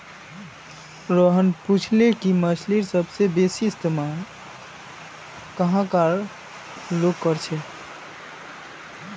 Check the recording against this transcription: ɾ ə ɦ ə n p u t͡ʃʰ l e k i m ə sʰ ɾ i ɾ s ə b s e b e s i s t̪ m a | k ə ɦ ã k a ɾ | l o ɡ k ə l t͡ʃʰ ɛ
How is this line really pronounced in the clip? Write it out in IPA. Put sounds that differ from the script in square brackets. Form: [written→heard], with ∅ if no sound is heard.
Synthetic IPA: ɾ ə ɦ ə n p u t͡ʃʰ l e k i m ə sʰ [ɾ→l] i ɾ s ə b s e b e s i s t̪ m a | k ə ɦ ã k a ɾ | l o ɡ k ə [l→ɾ] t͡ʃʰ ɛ